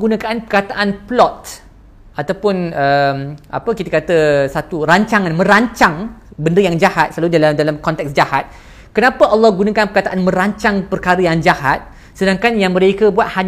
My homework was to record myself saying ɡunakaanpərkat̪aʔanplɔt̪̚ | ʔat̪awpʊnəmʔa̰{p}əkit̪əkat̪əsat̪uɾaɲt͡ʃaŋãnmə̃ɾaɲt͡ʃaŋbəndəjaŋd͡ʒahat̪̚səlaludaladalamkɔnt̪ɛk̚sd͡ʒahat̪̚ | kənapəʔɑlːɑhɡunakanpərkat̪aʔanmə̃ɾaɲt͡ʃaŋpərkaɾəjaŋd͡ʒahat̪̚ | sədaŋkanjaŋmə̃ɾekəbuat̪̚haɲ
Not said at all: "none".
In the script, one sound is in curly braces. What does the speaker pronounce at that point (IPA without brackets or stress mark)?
p